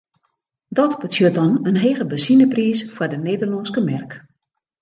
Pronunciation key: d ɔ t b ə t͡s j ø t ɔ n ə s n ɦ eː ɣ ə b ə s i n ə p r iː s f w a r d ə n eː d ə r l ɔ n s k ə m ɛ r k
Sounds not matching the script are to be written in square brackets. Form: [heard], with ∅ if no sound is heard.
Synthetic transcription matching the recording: d ɔ t b ə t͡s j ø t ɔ n ə [∅] n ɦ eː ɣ ə b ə s i n ə p r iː s f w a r d ə n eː d ə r l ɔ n s k ə m ɛ r k

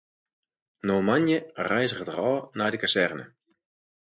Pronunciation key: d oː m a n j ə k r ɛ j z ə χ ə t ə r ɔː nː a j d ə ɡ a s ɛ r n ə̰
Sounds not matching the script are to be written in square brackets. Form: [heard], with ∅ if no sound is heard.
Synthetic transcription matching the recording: [n] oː m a n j ə [∅] r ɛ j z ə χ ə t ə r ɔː [n] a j d ə [k] a s ɛ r n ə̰

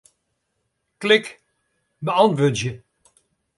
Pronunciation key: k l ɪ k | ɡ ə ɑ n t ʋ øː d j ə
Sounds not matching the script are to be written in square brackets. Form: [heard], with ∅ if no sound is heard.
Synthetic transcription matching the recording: k l ɪ k | [b] ə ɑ n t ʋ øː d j ə

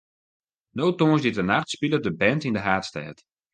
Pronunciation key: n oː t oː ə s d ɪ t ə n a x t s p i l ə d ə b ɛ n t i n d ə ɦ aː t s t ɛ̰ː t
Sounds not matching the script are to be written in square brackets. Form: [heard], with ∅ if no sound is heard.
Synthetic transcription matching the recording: n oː t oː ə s d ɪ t ə n a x t s p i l ə d ə b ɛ n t i n d ə ɦ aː t s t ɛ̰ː t

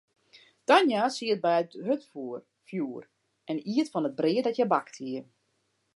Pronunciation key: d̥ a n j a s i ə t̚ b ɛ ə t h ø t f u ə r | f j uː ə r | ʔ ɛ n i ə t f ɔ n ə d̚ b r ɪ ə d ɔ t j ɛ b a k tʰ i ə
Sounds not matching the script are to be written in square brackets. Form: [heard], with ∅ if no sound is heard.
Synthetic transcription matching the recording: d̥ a n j a s i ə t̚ b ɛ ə t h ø t f u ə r | f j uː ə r | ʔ ɛ n i ə t f ɔ n ə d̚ b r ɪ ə d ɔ t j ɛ b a k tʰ i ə

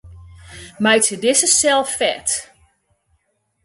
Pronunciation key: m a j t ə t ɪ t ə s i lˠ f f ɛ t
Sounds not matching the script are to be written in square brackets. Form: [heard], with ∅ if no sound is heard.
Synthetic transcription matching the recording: m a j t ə [d] ɪ [s] ə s [ɛ] lˠ f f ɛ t

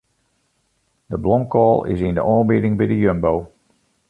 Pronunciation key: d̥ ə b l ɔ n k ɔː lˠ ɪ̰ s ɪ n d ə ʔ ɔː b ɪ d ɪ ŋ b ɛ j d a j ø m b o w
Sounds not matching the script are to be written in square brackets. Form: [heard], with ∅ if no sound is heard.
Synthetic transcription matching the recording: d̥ ə b l ɔ [m] k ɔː lˠ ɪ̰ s ɪ n d ə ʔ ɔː b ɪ d ɪ ŋ b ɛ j d [ə] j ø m b o w

